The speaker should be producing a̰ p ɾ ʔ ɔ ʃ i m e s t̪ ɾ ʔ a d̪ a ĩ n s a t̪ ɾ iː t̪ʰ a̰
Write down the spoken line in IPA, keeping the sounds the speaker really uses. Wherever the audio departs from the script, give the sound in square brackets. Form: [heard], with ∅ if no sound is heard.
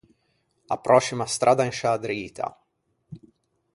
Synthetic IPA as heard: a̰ p ɾ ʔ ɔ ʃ i m [a] s t̪ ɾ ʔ a d̪ a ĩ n [ʃ] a [d̪] ɾ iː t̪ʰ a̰